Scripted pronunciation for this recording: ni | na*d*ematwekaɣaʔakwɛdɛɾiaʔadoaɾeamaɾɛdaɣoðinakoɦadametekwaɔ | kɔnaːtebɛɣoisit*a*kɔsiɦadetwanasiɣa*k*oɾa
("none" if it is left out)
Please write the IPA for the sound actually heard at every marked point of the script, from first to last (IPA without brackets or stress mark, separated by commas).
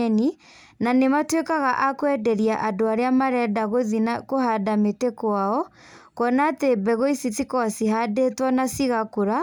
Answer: n, i, k